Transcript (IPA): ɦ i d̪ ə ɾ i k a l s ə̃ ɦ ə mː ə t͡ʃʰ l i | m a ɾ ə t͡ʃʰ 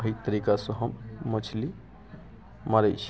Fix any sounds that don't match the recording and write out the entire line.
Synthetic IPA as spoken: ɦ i t̪ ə ɾ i k a s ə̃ ɦ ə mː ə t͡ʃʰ l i | m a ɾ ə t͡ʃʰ

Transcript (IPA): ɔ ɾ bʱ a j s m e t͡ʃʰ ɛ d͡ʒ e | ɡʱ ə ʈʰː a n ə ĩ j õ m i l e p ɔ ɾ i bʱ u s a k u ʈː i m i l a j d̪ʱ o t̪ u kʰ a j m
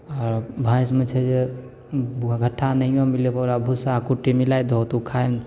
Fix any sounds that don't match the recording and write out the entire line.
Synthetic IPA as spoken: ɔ ɾ bʱ a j s m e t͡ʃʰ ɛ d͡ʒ e | ɡʱ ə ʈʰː a n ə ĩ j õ m i l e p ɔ ɾ a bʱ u s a k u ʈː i m i l a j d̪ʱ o t̪ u kʰ a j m

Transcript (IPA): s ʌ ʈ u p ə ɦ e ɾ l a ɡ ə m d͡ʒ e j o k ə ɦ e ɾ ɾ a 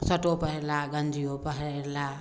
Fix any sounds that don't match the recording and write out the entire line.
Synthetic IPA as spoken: s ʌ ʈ o p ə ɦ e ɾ l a ɡ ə n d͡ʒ i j o p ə ɦ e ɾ l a

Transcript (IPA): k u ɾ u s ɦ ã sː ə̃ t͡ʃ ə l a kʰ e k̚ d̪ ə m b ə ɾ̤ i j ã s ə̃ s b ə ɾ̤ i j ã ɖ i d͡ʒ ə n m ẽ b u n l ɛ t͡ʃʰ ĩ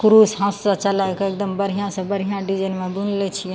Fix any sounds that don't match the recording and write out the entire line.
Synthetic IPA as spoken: k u ɾ u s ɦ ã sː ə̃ t͡ʃ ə l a k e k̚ d̪ ə m b ə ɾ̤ i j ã s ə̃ b ə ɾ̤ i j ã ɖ i d͡ʒ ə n m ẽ b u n l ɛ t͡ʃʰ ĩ

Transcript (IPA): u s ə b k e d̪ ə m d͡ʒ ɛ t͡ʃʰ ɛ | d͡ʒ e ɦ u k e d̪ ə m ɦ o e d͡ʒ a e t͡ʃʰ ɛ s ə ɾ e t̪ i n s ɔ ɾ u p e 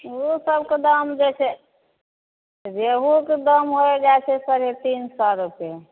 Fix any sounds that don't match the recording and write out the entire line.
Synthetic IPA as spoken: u s ə b k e d̪ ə m d͡ʒ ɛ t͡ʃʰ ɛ | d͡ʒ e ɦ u k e d̪ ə m ɦ o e d͡ʒ a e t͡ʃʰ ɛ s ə ɾ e t̪ i n s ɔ ɾ u p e

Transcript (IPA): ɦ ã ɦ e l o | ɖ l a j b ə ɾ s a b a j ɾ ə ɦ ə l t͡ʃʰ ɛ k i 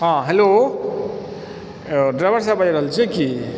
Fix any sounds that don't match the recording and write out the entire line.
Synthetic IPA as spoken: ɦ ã ɦ e l o | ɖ ɾ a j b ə ɾ s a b a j ɾ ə ɦ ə l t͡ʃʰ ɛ k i

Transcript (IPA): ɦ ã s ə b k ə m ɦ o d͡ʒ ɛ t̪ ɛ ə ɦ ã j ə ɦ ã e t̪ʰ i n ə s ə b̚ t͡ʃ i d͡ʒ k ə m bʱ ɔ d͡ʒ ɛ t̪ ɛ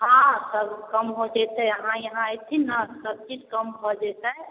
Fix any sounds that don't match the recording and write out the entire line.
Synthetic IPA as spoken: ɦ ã s ə b k ə m ɦ o d͡ʒ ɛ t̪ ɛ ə ɦ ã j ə ɦ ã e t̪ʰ i n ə s ə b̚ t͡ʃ i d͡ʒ k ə m bʱ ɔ d͡ʒ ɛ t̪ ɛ

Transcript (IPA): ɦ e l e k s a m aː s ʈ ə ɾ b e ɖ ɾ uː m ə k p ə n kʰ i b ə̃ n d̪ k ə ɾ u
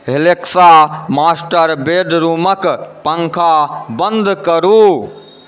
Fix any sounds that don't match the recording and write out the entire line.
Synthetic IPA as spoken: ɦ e l e k s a m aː s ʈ ə ɾ b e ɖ ɾ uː m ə k p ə ŋ kʰ a b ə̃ n d̪ k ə ɾ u

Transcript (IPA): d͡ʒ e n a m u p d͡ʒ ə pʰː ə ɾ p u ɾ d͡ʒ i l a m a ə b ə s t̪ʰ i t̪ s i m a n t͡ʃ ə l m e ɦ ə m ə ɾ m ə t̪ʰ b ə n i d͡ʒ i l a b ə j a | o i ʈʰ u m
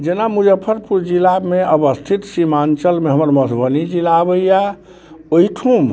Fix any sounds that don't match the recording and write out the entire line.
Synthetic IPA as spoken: d͡ʒ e n a m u d͡ʒ ə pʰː ə ɾ p u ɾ d͡ʒ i l a m e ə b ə s t̪ʰ i t̪ s i m a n t͡ʃ ə l m e ɦ ə m ə ɾ m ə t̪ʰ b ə n i d͡ʒ i l a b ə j a | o i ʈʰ u m

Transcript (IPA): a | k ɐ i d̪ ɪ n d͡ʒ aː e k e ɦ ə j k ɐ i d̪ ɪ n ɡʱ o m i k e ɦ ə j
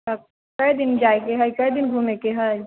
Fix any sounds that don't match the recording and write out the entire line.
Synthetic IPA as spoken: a | k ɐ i d̪ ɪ n d͡ʒ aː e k e ɦ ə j k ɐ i d̪ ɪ n ɡʱ u m e k e ɦ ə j

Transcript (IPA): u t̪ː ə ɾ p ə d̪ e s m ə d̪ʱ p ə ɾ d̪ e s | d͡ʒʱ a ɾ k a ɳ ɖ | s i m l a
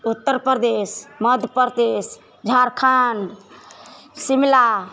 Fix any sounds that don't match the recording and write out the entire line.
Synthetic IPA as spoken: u t̪ː ə ɾ p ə d̪ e s m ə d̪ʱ p ə ɾ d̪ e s | d͡ʒʱ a ɾ kʰ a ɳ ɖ | s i m l a

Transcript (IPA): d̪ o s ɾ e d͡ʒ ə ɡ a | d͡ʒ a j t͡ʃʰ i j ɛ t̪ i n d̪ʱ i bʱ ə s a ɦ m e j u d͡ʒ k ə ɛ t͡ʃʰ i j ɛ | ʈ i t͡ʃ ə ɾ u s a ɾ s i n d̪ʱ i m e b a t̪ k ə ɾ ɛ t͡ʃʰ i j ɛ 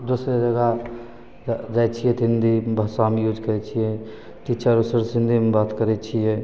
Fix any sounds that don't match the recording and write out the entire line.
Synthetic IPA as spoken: d̪ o s ɾ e d͡ʒ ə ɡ a | d͡ʒ a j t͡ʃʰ i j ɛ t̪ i n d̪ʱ i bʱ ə s a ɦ m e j u d͡ʒ k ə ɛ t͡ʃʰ i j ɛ | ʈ i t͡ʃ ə ɾ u s ə ɾ s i n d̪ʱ i m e b a t̪ k ə ɾ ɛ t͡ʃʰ i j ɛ

